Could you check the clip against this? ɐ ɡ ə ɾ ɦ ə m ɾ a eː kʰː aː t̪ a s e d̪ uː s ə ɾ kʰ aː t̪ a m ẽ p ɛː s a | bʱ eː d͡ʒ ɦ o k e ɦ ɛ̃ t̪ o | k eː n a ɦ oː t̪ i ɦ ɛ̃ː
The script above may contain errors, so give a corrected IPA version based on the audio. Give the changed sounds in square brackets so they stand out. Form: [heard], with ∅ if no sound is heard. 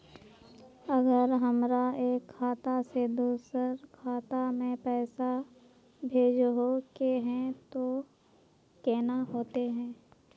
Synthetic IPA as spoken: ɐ ɡ ə ɾ ɦ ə m ɾ a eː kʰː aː t̪ a s e d̪ uː s ə ɾ kʰ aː t̪ a m ẽ p ɛː s a | bʱ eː d͡ʒ ɦ o k e ɦ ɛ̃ t̪ o | k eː n a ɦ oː t̪ [e] ɦ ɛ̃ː